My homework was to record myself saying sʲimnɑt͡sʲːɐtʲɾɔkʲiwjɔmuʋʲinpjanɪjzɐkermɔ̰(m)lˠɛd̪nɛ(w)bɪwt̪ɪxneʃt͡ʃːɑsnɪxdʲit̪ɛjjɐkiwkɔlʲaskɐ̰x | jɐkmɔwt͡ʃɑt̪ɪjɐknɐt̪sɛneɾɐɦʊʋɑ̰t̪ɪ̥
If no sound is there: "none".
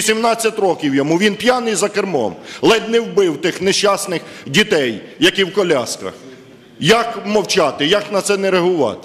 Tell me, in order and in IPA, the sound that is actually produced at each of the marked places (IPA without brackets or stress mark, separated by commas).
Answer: m, w